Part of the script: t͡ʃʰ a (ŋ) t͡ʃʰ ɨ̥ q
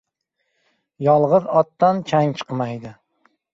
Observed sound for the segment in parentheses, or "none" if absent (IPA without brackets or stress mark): ŋ